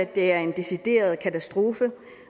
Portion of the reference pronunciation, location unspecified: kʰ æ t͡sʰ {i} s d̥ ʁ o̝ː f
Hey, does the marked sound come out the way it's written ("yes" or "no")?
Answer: no